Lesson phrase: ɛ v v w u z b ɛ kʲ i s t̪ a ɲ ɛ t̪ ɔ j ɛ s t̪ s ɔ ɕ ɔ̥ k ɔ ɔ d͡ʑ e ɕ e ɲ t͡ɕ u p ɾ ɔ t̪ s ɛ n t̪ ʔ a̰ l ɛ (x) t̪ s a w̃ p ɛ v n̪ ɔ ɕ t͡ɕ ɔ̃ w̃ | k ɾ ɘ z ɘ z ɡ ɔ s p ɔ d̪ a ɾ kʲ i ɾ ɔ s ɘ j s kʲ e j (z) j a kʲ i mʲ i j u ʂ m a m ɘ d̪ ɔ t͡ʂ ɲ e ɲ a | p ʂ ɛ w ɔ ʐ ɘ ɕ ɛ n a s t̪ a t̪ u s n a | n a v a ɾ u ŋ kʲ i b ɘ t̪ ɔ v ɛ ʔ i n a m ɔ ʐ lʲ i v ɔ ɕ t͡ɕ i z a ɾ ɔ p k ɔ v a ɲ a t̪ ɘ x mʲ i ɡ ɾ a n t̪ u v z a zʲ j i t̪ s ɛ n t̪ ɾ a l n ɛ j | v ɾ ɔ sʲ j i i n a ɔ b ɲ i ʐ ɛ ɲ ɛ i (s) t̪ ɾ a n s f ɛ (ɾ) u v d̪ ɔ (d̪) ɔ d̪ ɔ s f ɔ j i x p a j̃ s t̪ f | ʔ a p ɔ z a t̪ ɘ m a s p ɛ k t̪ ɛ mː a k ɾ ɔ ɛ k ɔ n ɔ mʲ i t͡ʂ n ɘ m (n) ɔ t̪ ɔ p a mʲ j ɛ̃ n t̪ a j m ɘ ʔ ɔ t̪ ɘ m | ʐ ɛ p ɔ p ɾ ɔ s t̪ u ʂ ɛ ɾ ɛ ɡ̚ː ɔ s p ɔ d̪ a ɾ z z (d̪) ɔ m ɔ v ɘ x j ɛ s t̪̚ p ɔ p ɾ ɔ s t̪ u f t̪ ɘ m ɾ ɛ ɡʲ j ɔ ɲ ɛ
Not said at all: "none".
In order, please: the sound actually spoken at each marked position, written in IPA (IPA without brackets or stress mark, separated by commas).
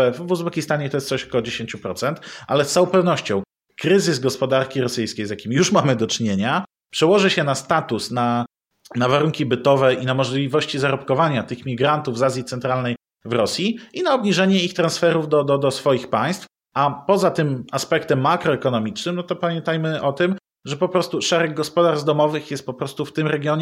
s, z, x, ɾ, d̪, n, d̪